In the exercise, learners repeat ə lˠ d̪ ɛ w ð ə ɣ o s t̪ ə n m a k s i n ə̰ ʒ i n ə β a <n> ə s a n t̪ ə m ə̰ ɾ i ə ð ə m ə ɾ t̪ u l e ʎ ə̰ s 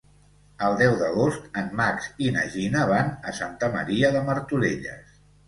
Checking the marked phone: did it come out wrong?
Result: no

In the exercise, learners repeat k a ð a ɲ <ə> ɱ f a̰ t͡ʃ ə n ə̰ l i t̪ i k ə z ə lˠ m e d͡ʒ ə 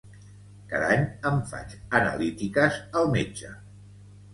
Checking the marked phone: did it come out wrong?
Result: no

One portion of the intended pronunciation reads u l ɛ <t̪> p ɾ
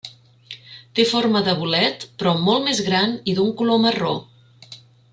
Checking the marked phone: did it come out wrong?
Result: no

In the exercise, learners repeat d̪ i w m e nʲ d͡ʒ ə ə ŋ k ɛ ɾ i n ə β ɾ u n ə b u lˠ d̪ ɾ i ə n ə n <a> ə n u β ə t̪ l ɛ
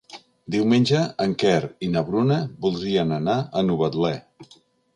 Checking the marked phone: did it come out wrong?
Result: no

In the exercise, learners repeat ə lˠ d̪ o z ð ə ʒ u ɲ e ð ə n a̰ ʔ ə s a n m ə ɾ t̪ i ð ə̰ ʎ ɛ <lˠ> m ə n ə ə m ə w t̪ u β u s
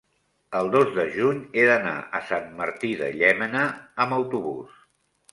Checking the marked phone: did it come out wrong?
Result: yes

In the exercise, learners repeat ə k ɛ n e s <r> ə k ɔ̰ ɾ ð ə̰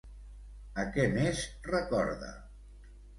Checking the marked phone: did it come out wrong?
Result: no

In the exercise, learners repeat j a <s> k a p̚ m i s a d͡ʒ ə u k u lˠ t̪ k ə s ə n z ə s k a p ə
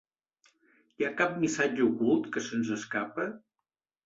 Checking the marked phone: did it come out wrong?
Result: yes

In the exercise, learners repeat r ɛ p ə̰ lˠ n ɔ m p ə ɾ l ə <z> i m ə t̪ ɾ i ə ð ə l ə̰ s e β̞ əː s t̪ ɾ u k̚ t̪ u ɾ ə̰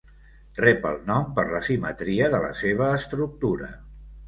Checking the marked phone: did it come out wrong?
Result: yes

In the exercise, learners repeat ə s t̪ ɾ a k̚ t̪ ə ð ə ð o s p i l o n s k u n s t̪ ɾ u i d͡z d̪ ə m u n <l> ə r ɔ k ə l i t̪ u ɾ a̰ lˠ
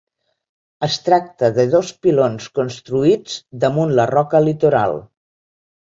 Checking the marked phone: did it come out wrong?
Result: no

